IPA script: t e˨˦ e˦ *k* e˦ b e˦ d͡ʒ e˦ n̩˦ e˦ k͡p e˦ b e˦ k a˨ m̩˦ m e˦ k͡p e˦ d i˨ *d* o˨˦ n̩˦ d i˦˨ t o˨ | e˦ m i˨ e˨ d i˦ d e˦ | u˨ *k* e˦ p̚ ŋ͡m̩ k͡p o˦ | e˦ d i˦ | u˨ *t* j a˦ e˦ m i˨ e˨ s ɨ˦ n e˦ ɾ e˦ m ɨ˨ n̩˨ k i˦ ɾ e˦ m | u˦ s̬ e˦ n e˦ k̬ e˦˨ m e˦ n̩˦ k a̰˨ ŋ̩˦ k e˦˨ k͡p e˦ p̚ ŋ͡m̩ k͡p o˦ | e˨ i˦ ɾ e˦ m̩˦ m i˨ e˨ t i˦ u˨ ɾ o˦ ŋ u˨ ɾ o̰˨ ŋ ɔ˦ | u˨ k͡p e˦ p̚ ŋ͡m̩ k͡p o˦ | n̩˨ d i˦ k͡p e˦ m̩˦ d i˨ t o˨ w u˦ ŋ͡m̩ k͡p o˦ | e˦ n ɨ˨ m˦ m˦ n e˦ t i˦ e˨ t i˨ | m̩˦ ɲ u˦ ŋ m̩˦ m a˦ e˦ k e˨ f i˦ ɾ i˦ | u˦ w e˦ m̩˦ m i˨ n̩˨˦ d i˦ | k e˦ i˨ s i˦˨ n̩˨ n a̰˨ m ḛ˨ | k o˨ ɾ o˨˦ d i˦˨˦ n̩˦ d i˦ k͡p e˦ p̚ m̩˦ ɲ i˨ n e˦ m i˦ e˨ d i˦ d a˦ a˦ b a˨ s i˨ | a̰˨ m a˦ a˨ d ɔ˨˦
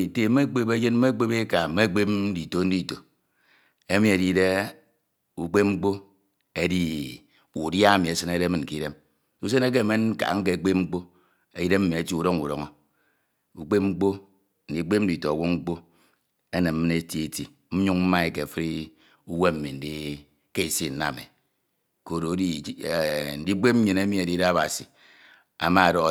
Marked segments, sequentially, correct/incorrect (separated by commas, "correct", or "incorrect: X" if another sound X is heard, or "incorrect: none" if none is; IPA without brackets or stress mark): incorrect: k͡p, incorrect: t, incorrect: k͡p, incorrect: d